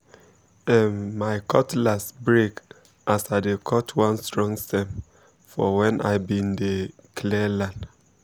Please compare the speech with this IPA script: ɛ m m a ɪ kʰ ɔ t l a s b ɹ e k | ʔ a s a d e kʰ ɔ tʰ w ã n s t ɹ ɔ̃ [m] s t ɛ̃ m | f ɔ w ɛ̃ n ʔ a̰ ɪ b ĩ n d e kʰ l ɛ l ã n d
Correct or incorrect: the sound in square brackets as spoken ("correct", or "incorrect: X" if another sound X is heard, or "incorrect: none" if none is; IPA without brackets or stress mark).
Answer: incorrect: ŋ